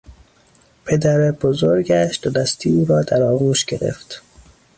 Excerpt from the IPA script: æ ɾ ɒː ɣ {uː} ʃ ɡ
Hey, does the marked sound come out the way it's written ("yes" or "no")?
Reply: yes